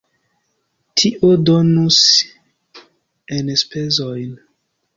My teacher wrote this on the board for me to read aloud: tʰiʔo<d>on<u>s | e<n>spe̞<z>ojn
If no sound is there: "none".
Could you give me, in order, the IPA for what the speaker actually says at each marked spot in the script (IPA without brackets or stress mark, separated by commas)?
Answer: d, u, n, z